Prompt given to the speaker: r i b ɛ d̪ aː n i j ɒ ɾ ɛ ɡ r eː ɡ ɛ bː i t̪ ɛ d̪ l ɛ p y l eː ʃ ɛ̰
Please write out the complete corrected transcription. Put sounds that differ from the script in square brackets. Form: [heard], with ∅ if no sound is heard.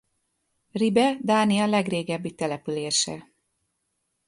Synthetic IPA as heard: r i b ɛ d̪ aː n i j ɒ [l] ɛ ɡ r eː ɡ ɛ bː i t̪ ɛ [∅] l ɛ p y l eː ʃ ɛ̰